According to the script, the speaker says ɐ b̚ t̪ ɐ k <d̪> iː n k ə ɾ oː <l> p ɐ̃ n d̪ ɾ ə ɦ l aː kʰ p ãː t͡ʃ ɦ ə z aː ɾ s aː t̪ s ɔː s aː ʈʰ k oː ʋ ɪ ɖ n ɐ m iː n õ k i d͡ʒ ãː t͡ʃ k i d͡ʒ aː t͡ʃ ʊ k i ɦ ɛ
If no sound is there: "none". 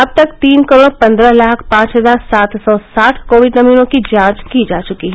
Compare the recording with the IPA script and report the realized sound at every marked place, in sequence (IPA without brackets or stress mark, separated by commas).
t̪, ɽ